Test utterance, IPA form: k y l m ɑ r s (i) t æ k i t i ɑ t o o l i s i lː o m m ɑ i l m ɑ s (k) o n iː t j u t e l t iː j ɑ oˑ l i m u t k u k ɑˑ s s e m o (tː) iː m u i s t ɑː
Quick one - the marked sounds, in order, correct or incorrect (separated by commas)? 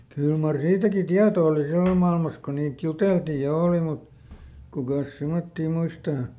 incorrect, correct, correct